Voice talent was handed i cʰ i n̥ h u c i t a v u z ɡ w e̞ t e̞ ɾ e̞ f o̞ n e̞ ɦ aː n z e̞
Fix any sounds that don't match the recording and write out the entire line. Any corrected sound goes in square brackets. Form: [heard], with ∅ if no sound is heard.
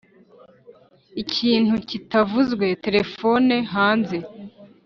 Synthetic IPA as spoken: i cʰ [iː] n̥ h u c i t a v u z ɡ w e̞ t e̞ ɾ e̞ f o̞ n e̞ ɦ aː n z e̞